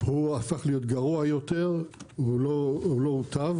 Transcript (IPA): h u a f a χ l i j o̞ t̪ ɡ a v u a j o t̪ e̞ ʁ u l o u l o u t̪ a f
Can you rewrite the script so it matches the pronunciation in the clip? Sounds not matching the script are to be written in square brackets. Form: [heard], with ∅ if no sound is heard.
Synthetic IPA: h u a f a χ l i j o̞ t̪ ɡ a [ʁ] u a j o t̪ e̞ ʁ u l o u l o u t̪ a [v]